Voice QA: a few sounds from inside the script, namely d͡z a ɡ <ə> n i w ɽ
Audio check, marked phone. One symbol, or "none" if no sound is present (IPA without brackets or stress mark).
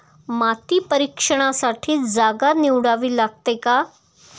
a